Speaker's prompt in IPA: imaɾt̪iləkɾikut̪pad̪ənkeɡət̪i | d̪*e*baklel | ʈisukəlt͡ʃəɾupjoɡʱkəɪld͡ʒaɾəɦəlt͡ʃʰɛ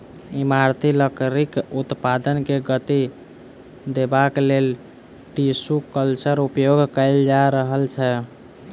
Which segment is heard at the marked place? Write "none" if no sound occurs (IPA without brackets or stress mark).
e